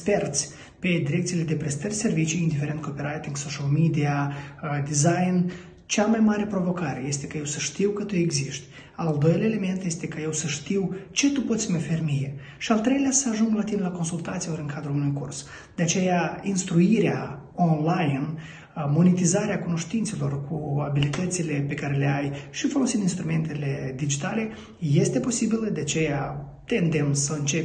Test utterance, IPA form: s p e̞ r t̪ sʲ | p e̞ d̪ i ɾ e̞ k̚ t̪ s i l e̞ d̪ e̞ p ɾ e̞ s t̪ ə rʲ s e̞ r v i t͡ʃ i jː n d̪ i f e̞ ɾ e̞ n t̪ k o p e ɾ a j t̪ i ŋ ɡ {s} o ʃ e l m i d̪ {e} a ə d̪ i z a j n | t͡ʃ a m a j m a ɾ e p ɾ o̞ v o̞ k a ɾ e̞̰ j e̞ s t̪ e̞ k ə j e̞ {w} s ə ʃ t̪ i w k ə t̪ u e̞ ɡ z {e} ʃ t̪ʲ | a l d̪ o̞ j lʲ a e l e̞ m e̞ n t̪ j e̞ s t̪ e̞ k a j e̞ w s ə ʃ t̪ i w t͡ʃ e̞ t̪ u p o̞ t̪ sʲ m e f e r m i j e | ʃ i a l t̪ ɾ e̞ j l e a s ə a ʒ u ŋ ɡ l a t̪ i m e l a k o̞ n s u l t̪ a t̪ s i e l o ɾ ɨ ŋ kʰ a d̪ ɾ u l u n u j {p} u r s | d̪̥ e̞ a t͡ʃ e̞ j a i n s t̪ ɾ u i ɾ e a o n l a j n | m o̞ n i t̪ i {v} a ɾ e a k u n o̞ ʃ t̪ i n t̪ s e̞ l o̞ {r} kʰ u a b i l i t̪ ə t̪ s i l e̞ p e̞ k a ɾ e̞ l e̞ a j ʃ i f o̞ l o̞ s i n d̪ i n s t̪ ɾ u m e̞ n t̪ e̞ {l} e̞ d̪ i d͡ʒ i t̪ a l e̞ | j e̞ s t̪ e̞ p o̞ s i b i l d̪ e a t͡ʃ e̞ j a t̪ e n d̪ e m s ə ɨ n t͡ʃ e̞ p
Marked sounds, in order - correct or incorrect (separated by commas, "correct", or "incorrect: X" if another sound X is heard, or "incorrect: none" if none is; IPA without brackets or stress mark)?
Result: correct, incorrect: i, correct, incorrect: i, incorrect: k, incorrect: z, correct, correct